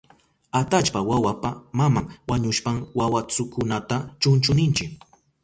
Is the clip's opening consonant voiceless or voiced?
voiceless